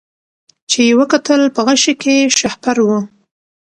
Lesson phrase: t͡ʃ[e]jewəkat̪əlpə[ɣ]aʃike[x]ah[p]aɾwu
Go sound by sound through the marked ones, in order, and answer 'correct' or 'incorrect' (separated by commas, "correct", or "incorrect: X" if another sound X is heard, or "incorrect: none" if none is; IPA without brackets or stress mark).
correct, correct, incorrect: ʃ, correct